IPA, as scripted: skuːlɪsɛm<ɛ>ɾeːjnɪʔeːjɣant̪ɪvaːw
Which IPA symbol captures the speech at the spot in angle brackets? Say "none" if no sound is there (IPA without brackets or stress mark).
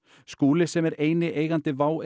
ɛ